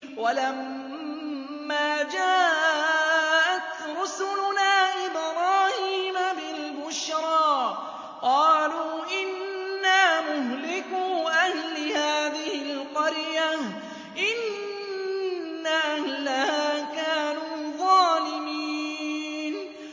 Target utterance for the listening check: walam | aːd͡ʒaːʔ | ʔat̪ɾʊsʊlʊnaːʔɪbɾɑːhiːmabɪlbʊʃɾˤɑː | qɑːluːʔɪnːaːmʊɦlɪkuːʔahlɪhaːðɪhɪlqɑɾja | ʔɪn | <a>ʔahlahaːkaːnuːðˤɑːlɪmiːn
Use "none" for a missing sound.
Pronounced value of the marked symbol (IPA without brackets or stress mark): a